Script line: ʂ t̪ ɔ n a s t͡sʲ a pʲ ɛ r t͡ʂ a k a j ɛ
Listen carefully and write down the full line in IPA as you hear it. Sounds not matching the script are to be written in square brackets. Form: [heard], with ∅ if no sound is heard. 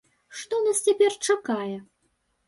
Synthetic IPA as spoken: ʂ t̪ ɔ n a s t͡sʲ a pʲ ɛ r t͡ʂ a k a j ɛ